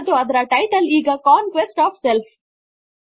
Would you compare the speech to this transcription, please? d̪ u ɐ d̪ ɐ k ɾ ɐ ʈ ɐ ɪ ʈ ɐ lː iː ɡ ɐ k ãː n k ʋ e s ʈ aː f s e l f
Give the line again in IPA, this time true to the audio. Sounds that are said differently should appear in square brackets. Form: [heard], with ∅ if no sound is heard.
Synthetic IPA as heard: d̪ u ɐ d̪ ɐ [∅] ɾ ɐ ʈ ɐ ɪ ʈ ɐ [l] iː ɡ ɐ k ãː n k ʋ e s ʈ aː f s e l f